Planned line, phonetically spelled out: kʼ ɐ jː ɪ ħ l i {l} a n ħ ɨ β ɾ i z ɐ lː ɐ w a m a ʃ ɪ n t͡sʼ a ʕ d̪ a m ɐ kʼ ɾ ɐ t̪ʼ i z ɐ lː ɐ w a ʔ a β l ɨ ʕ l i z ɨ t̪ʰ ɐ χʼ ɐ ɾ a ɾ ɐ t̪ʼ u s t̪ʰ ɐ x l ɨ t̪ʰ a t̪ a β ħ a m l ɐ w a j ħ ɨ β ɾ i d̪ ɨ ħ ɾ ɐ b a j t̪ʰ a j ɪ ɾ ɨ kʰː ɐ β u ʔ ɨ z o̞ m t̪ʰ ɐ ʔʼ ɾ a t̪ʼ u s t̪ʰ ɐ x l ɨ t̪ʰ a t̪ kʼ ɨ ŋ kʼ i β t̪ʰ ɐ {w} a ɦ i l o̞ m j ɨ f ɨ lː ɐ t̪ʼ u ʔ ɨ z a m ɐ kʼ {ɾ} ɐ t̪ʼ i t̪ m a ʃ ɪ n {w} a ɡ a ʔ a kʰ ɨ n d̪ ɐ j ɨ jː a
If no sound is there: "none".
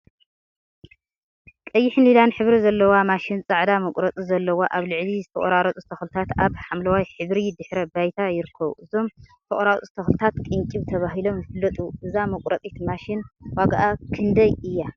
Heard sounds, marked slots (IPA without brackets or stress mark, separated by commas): l, β, ɾ, w